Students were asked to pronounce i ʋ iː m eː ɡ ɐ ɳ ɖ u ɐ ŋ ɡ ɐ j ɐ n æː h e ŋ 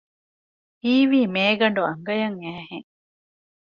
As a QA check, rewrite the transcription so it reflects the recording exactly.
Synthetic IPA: iː ʋ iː m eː ɡ ɐ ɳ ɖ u ɐ ŋ ɡ ɐ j ɐ ŋ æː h e ŋ